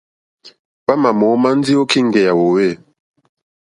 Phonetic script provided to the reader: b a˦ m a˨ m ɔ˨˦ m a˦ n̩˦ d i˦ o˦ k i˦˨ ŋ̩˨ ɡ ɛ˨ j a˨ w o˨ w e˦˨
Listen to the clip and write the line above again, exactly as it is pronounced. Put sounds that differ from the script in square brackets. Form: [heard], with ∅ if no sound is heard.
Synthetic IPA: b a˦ m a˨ m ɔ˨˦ m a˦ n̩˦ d i˦ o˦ k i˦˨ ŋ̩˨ ɡ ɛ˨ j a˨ w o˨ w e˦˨